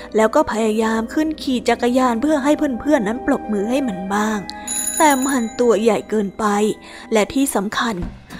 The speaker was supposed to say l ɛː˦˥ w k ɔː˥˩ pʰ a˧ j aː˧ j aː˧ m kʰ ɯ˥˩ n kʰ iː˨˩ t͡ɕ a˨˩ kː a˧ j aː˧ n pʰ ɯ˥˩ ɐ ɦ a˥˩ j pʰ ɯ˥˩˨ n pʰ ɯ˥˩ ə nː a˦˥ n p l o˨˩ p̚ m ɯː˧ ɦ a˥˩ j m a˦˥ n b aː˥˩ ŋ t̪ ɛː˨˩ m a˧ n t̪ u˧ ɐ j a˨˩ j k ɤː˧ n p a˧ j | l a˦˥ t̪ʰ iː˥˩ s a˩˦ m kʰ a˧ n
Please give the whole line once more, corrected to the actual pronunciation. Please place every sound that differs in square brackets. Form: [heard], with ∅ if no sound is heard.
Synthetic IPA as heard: l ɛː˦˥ w k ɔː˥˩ pʰ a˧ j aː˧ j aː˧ m kʰ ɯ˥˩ n kʰ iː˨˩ t͡ɕ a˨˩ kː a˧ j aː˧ n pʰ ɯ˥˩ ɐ ɦ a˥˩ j pʰ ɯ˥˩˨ n pʰ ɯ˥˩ ə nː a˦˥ n p l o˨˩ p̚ m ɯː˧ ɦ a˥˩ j m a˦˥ n b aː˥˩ ŋ t̪ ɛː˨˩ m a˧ n t̪ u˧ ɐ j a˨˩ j k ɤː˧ n p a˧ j | l [ɛ˦˥] t̪ʰ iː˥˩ s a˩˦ m kʰ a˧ n